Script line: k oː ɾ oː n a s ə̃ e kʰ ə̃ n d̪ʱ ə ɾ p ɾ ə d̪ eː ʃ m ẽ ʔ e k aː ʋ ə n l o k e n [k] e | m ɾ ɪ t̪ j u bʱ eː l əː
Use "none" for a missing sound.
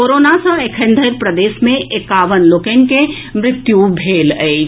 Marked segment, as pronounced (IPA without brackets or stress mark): k